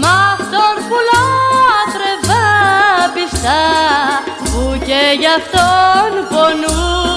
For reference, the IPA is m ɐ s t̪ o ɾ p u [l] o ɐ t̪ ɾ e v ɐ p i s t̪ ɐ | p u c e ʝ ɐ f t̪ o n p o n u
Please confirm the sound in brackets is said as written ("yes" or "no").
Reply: yes